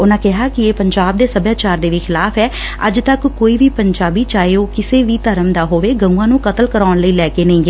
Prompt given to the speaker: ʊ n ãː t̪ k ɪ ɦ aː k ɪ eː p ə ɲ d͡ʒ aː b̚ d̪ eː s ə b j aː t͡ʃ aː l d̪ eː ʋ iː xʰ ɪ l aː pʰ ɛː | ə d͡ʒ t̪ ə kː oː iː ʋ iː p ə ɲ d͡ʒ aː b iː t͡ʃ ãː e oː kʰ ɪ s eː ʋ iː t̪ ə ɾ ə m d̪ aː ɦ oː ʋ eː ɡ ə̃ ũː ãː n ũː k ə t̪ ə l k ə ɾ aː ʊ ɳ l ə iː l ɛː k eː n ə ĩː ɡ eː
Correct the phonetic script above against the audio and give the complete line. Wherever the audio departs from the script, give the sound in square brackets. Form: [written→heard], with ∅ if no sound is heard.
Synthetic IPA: ʊ n ãː [t̪→∅] k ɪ ɦ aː k ɪ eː p ə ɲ d͡ʒ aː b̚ d̪ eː s ə b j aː t͡ʃ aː [l→ɾ] d̪ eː ʋ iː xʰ ɪ l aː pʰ ɛː | ə d͡ʒ t̪ ə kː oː iː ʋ iː p ə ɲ d͡ʒ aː b iː t͡ʃ [ãː→aː] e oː [kʰ→k] ɪ s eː ʋ iː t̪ ə ɾ ə m d̪ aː ɦ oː ʋ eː ɡ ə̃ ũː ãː n ũː k ə t̪ ə l k ə ɾ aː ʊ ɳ l ə iː l ɛː k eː n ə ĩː ɡ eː